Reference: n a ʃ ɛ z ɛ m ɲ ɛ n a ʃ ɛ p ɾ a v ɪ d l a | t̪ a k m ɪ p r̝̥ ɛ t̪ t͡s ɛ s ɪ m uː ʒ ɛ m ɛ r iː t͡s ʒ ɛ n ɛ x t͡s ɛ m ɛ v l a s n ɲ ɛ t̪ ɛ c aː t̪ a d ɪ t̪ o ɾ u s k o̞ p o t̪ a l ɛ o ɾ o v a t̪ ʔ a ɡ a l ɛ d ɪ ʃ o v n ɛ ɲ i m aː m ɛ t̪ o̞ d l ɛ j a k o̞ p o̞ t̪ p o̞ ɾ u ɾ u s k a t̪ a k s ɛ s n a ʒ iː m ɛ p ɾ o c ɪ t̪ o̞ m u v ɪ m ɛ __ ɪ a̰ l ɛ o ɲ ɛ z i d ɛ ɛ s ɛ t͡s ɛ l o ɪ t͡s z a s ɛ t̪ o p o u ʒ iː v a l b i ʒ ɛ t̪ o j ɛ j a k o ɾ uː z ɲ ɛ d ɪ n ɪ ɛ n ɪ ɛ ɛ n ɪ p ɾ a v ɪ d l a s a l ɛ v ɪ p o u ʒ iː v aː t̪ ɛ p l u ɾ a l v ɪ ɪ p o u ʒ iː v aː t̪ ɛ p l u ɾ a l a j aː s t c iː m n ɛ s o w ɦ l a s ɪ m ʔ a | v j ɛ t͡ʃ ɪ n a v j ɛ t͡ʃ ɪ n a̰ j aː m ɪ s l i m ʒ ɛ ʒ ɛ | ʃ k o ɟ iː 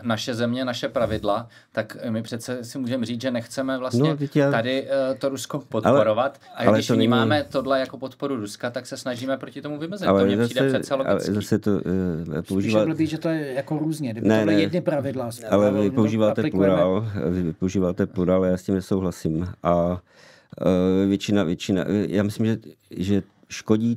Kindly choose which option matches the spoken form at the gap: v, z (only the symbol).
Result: z